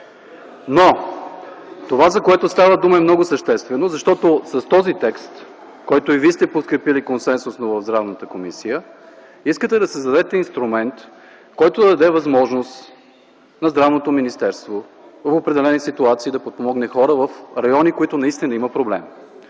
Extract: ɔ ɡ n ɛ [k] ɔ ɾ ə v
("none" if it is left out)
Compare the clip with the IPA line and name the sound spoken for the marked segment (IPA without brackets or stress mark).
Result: x